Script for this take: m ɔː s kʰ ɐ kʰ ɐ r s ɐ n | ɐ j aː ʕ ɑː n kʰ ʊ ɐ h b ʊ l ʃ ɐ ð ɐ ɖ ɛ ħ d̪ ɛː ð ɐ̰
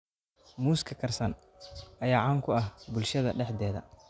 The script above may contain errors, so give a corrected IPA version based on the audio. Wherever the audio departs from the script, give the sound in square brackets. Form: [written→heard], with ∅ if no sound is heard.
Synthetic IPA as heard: m [ɔː→uː] s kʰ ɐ kʰ ɐ r s ɐ n | ɐ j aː ʕ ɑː [n→ŋ] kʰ ʊ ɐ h b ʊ l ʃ ɐ ð ɐ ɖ ɛ ħ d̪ ɛː ð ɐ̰